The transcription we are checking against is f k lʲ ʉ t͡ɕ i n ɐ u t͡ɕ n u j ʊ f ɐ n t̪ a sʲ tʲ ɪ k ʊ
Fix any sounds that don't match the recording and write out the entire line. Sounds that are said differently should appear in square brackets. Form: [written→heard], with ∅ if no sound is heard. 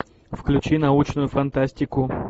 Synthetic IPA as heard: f k lʲ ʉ t͡ɕ i n ɐ u t͡ɕ n [u→ʊ] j ʊ f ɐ n t̪ a sʲ tʲ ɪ k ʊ

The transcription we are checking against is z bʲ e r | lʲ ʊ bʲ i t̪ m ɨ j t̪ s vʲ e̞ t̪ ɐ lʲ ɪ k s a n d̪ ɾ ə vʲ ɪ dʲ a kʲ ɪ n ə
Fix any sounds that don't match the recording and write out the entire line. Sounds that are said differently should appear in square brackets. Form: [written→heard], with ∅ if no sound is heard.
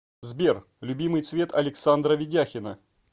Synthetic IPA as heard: z bʲ e r | lʲ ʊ bʲ i [t̪→∅] m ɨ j t̪ s vʲ e̞ t̪ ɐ lʲ ɪ k s a n d̪ ɾ ə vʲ ɪ dʲ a [kʲ→xʲ] ɪ n ə

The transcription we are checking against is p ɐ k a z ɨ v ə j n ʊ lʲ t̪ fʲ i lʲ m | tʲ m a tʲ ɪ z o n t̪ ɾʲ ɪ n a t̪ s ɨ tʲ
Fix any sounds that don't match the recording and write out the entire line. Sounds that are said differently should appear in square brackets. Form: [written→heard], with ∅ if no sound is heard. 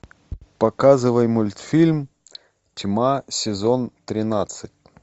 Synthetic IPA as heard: p ɐ k a z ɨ v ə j [n→m] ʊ lʲ t̪ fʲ i lʲ m | tʲ m a [tʲ→sʲ] ɪ z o n t̪ ɾʲ ɪ n a t̪ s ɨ tʲ

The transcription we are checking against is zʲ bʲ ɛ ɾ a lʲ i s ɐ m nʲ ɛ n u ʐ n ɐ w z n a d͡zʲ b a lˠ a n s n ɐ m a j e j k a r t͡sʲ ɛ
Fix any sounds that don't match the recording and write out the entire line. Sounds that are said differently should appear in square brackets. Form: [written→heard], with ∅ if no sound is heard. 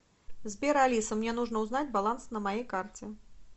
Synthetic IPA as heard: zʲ bʲ ɛ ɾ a lʲ i s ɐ m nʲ ɛ n u ʐ n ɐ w z n a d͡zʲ b a lˠ a n s n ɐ m a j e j k a r t͡sʲ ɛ

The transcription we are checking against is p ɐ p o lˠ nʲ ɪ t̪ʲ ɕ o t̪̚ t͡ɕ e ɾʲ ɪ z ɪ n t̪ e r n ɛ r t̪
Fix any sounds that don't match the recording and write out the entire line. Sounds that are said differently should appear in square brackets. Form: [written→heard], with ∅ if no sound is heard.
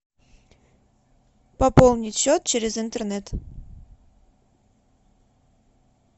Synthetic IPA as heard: p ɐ p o lˠ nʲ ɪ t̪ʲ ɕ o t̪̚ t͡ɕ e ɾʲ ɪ z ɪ n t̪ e r n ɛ [r→∅] t̪

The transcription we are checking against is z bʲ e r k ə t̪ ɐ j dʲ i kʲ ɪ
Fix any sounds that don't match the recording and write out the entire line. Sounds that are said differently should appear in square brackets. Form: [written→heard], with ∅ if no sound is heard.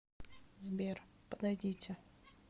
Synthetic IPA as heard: z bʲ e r [k→p] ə [t̪→d̪] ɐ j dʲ i [kʲ→tʲ] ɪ

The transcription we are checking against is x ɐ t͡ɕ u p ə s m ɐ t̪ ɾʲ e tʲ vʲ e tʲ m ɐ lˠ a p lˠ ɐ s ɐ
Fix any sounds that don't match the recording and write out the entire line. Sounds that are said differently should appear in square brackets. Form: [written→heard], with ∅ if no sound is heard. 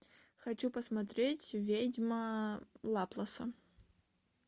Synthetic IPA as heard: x ɐ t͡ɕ u p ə s m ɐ t̪ ɾʲ e tʲ vʲ e [tʲ→dʲ] m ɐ lˠ a p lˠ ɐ s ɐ

